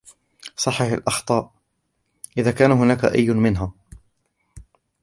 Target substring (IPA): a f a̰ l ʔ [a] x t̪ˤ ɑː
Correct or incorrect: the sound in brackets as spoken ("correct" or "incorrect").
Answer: incorrect